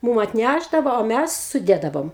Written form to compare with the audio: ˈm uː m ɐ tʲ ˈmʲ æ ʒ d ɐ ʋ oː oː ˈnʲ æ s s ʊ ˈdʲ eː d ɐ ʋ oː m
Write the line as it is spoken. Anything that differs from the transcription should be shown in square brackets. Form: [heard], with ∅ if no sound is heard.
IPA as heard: ˈm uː m ɐ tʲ [ˈnʲ] æ ʒ d ɐ ʋ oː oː [ˈmʲ] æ s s ʊ ˈdʲ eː d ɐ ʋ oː m